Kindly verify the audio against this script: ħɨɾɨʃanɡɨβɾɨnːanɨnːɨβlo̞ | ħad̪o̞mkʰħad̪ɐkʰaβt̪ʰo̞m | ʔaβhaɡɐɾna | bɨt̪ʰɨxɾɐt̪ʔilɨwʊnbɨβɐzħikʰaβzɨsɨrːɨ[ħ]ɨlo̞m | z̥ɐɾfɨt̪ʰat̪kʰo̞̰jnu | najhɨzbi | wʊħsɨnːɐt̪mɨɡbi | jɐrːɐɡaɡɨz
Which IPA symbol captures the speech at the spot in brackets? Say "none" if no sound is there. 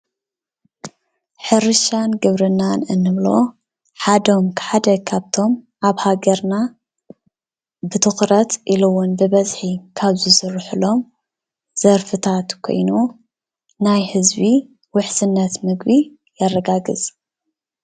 ħ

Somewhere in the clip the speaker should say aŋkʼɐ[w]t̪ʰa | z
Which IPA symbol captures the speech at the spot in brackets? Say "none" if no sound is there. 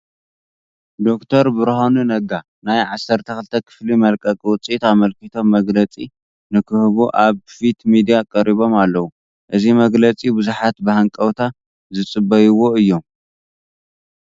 w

